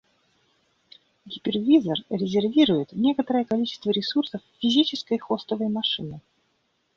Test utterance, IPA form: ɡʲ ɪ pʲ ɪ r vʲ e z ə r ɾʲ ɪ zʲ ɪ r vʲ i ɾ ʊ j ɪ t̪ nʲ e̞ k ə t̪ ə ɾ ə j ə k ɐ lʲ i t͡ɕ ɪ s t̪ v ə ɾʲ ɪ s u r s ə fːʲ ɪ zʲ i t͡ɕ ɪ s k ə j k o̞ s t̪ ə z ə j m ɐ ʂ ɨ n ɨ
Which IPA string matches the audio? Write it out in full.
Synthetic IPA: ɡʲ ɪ pʲ ɪ r vʲ i z ə r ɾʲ ɪ zʲ ɪ r vʲ i ɾ ʊ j ɪ t̪ nʲ e̞ k ə t̪ ə ɾ ə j ə k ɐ lʲ i t͡ɕ ɪ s t̪ v ə ɾʲ ɪ s u r s ə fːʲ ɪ zʲ i t͡ɕ ɪ s k ə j x o̞ s t̪ ə v ə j m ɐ ʂ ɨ n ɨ